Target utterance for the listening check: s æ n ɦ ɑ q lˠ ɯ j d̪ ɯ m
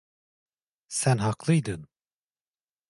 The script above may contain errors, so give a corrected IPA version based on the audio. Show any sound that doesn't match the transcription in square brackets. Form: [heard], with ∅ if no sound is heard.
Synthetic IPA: s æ n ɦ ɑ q lˠ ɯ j d̪ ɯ [n]